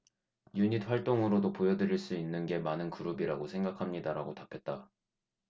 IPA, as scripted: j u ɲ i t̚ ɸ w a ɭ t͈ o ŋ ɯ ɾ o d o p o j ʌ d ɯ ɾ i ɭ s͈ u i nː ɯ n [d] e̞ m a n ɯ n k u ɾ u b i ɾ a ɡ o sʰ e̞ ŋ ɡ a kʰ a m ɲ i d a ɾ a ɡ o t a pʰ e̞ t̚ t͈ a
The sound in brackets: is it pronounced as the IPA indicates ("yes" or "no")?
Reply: no